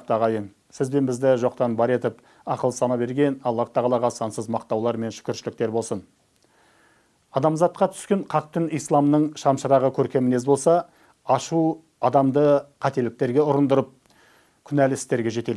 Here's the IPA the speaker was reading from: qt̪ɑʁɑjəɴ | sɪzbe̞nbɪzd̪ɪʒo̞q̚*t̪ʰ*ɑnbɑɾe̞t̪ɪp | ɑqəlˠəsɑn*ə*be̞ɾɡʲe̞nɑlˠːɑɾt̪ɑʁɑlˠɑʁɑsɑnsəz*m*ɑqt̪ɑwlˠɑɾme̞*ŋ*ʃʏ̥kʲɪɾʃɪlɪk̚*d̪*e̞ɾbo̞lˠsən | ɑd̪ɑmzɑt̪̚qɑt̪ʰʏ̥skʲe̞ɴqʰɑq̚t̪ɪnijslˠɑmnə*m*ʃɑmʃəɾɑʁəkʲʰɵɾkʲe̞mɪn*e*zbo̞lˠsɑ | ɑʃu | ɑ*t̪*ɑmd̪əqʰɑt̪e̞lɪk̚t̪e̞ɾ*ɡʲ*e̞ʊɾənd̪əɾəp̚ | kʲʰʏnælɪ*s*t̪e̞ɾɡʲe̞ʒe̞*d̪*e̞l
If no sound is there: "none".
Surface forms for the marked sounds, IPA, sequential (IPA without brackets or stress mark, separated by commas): t̪, ɑ, m, n, t̪, ɴ, e, d̪, ɡʲ, s, t̪